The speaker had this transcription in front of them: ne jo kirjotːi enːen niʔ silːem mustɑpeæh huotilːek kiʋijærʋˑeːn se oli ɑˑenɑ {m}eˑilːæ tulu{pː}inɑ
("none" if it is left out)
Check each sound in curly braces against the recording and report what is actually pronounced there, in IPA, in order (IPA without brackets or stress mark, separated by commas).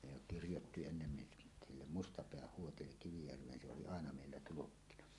m, kː